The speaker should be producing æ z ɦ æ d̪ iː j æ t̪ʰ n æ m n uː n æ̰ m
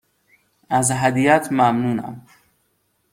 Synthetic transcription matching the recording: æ z ɦ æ d̪ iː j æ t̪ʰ m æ m n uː n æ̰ m